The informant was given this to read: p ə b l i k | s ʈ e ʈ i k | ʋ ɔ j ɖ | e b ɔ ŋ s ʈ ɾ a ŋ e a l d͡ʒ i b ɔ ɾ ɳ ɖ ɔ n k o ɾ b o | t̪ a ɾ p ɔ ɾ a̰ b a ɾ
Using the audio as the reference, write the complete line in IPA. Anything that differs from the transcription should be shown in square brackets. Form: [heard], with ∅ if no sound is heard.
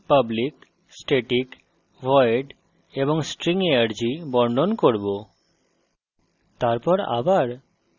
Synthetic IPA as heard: p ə b l i k | s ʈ e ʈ i k | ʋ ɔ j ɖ | e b ɔ ŋ s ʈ ɾ [i] ŋ e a [ɾ] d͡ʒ i b ɔ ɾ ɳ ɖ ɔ n k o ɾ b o | t̪ a ɾ p ɔ ɾ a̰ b a ɾ